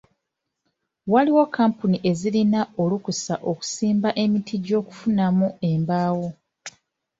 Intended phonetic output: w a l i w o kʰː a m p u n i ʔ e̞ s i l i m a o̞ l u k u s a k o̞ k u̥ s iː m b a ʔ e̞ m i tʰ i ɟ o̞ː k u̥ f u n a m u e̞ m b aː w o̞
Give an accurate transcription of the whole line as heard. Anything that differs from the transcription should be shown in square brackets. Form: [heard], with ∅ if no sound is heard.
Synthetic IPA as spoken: w a l i w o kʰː a m p u n i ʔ e̞ [z] i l i [n] a o̞ l u k u s a [ʔ] o̞ k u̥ s iː m b a ʔ e̞ m i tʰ i ɟ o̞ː k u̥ f u n a m u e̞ m b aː w o̞